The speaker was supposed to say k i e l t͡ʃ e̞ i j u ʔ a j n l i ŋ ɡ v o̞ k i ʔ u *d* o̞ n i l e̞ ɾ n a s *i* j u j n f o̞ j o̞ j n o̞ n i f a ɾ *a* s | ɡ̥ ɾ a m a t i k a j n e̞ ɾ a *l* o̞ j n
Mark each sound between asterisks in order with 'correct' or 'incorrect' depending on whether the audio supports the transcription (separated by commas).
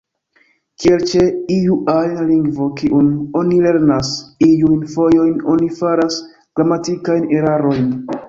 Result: incorrect, correct, correct, incorrect